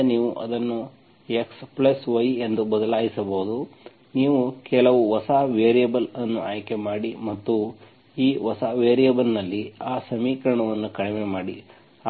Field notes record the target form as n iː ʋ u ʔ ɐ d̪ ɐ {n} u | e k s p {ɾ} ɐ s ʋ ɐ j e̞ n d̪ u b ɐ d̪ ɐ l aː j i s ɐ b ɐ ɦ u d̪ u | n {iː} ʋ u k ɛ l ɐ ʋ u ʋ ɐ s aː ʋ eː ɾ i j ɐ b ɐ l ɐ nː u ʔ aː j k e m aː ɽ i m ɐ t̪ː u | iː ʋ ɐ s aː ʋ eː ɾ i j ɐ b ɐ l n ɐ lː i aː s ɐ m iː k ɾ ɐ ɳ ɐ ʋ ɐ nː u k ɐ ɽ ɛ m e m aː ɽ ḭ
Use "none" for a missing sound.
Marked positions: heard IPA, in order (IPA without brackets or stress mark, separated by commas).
nː, l, iː